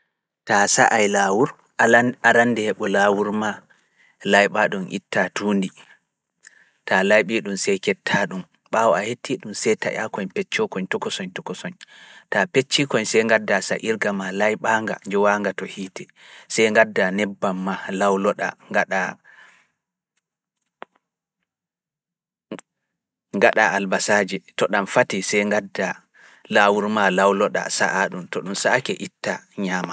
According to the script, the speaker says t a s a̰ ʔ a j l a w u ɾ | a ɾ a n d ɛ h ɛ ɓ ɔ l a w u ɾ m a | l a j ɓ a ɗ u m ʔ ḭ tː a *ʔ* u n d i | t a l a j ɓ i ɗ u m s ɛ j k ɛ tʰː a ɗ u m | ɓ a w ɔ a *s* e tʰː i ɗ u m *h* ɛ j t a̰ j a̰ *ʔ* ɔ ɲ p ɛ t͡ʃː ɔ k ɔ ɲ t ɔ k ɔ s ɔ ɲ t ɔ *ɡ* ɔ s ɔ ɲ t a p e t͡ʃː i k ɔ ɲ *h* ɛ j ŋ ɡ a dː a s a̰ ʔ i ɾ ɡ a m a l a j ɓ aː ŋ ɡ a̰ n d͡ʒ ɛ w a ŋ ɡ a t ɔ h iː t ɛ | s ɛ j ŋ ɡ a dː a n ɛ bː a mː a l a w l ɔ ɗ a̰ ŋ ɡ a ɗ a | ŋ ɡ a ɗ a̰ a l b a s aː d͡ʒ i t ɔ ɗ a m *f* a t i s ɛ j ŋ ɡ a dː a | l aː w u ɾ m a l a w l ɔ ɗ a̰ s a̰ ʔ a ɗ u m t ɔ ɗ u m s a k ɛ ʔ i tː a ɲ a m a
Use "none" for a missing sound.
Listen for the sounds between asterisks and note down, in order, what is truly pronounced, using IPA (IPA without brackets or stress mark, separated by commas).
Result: t, h, s, k, k, s, f